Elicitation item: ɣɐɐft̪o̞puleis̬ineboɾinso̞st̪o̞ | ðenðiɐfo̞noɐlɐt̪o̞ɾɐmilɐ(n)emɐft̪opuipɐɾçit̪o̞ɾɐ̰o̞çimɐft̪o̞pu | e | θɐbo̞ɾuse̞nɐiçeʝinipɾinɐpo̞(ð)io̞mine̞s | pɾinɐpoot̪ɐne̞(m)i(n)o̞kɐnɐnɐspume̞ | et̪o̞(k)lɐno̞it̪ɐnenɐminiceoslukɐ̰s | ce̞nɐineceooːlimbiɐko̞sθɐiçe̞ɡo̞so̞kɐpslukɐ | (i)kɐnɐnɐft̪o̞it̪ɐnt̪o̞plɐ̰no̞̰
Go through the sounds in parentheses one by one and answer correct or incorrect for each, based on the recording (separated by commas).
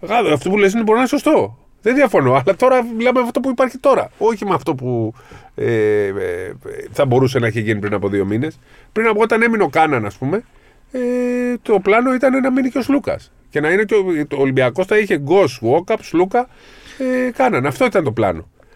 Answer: incorrect, correct, correct, correct, incorrect, incorrect